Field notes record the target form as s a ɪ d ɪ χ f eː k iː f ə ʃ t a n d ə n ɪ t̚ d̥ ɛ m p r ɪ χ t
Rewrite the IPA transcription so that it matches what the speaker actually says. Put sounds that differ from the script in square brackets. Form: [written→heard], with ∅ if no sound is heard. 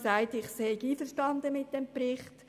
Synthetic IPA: s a ɪ [d→t] ɪ χ [f→s] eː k iː f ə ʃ t [a→ɑ] n d ə [n→m] ɪ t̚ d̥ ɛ m p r ɪ χ t